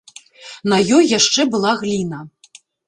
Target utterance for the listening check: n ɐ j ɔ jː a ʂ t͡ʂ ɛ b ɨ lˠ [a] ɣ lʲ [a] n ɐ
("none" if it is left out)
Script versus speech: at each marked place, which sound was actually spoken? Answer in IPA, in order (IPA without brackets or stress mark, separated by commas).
a, i